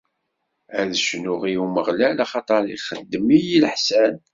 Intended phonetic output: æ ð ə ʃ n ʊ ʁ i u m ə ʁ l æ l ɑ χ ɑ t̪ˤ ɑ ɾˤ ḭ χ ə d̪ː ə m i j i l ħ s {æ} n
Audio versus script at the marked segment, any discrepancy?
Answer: no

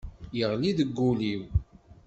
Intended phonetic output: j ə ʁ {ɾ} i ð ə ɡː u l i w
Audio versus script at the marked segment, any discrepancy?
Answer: yes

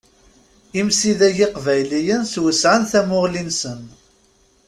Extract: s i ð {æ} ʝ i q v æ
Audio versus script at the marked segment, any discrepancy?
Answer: no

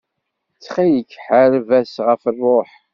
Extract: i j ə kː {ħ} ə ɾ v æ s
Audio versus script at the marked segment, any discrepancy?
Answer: no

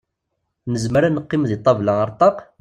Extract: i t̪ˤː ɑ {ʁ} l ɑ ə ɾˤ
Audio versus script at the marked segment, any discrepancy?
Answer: yes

